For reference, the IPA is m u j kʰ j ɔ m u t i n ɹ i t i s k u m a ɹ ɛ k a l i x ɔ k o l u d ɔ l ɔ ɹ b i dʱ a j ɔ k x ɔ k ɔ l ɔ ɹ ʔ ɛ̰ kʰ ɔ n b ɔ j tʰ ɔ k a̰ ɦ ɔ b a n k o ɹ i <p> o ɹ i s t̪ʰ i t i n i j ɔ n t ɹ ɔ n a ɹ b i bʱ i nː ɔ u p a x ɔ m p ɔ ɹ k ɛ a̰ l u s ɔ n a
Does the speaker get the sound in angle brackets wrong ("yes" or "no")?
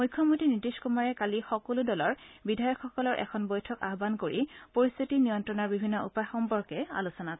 no